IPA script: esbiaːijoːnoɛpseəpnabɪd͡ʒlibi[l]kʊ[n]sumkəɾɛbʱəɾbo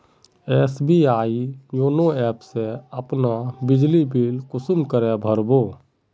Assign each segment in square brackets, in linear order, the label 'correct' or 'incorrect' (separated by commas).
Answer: correct, incorrect